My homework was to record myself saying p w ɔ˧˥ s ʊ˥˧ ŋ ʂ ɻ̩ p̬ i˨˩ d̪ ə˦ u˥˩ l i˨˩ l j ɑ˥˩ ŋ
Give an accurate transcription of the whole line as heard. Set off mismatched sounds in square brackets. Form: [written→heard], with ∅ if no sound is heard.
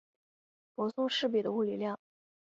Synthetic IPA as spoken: p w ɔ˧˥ s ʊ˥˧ ŋ ʂ ɻ̩ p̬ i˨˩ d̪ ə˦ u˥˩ l i˨˩ l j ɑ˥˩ ŋ